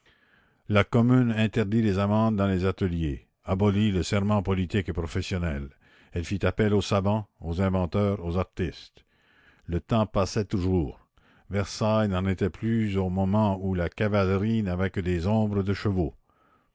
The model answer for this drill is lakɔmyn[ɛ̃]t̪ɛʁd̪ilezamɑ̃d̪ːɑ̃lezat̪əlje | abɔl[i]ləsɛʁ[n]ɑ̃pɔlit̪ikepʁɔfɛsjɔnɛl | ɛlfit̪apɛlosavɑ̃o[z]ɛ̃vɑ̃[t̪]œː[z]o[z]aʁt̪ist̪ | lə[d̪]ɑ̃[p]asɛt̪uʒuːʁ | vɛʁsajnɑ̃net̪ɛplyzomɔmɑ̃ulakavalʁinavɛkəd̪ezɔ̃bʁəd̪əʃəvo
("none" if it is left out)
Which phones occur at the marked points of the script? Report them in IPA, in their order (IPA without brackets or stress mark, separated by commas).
ɛ̃, i, m, z, t̪, ʁ, z, t̪, p